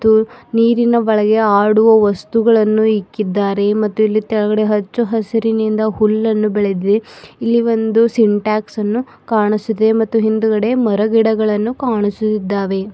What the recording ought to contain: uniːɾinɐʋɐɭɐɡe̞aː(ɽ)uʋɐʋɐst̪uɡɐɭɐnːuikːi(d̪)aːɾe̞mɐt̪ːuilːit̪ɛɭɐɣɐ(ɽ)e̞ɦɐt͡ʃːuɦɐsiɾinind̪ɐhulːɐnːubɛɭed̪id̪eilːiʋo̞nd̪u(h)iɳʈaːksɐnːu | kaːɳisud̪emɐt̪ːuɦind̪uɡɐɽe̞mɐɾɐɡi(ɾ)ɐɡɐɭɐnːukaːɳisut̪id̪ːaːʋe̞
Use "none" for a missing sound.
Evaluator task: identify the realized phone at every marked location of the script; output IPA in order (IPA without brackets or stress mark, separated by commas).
ɽ, d̪ː, ɽ, s, ɽ